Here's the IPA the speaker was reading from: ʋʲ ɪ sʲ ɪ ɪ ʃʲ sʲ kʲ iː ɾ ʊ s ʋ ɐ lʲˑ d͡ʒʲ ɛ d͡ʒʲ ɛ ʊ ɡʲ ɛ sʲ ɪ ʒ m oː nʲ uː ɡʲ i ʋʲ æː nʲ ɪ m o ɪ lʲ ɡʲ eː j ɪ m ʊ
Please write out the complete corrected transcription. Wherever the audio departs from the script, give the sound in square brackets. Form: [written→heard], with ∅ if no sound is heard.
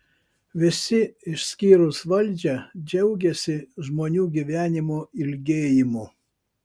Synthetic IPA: ʋʲ ɪ sʲ ɪ ɪ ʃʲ sʲ kʲ iː ɾ ʊ s ʋ ɐ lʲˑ d͡ʒʲ ɛ d͡ʒʲ ɛ ʊ ɡʲ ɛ sʲ ɪ ʒ m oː nʲ uː ɡʲ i ʋʲ æː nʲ ɪ m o ɪ lʲ ɡʲ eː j ɪ m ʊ